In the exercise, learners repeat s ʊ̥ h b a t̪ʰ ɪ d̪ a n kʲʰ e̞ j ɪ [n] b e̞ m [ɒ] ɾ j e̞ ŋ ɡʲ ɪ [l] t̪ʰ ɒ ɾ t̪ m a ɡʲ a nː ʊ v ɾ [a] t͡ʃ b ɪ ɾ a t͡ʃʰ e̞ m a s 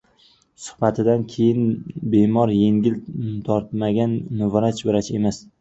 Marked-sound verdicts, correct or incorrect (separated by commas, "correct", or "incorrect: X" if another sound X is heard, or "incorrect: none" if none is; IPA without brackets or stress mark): correct, correct, correct, correct